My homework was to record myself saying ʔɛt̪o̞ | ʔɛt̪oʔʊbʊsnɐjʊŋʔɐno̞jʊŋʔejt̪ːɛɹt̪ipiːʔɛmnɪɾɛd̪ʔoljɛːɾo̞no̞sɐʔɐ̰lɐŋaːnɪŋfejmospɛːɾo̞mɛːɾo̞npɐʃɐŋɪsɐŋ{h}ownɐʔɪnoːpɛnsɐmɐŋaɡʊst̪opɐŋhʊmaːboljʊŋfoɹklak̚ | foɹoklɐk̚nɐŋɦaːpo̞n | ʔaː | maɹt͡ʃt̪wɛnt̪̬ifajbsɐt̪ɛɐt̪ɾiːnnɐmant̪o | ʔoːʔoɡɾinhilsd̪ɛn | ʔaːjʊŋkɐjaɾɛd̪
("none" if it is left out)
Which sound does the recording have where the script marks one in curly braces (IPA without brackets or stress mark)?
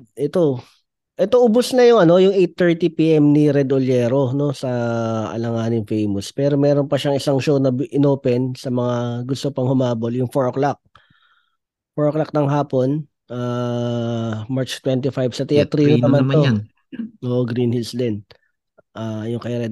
ʃ